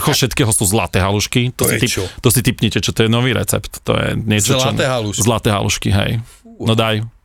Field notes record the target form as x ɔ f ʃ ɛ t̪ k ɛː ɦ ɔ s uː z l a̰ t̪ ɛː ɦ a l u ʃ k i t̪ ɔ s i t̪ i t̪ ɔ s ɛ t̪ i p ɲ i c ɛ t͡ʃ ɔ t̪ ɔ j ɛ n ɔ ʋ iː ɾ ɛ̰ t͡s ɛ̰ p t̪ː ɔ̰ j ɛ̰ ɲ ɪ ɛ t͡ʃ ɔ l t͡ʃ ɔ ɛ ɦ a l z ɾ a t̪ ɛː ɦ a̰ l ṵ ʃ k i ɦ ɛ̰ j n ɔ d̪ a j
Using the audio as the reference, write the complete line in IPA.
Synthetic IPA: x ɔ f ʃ ɛ t̪ k ɛː ɦ ɔ s uː z l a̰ t̪ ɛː ɦ a l u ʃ k i t̪ ɔ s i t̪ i t̪ ɔ s i t̪ i p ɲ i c ɛ t͡ʃ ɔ t̪ ɔ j ɛ n ɔ ʋ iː ɾ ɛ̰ t͡s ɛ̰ p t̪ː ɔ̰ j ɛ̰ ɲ ɪ ɛ t͡ʃ ɔ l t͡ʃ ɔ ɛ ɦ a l z l a t̪ ɛː ɦ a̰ l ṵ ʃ k i ɦ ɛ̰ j n ɔ d̪ a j